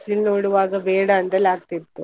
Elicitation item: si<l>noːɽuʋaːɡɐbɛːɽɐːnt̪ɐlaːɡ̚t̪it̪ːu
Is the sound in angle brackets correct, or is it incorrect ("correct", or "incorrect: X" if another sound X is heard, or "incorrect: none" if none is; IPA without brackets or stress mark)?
correct